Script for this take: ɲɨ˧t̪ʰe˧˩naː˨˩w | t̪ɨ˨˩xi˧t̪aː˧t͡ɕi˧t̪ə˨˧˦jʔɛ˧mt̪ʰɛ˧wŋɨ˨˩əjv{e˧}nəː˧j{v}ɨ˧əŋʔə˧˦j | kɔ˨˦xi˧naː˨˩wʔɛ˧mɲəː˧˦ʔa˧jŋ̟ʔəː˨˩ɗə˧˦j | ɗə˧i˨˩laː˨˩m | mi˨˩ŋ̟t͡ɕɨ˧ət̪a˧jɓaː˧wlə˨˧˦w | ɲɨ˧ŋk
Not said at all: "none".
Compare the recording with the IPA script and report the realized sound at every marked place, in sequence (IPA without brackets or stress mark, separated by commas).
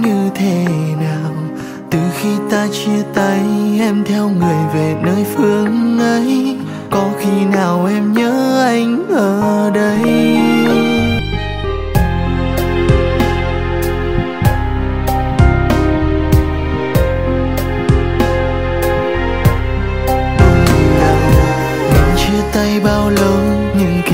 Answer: e˨˩, f